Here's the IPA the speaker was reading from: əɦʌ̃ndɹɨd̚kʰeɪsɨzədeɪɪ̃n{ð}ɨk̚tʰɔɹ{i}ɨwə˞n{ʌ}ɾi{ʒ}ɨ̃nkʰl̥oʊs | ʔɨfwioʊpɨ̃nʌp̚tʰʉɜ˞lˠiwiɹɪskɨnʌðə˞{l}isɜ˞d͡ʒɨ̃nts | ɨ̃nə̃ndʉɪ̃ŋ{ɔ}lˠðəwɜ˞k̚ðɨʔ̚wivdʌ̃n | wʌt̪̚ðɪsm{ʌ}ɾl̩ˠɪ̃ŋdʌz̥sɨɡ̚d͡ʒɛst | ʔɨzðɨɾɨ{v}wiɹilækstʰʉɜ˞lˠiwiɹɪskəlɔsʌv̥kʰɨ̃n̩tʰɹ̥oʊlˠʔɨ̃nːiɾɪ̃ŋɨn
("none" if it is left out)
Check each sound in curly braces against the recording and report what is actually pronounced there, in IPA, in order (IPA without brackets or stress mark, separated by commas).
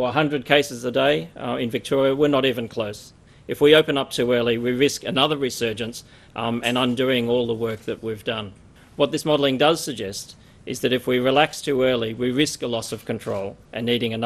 v, i, ə, v, ɹ, ɔ, ɑ, f